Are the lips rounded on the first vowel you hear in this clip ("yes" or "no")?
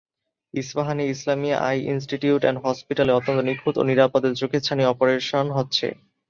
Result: no